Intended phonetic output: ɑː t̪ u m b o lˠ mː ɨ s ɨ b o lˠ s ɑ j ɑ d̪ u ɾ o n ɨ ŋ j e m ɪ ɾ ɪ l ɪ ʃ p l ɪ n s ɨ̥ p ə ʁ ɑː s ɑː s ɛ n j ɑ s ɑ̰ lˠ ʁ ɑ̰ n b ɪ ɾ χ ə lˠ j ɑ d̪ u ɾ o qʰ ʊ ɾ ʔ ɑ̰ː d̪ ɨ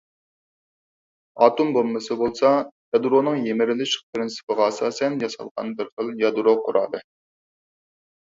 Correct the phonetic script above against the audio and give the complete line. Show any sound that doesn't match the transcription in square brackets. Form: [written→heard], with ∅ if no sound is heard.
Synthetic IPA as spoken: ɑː t̪ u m b o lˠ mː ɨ s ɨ b o lˠ s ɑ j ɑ d̪ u ɾ o n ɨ ŋ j e m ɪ ɾ ɪ l ɪ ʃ p [l→ɾ] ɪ n s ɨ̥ p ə ʁ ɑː s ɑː s ɛ n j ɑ s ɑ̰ lˠ ʁ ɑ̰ n b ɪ ɾ χ ə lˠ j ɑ d̪ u ɾ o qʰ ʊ ɾ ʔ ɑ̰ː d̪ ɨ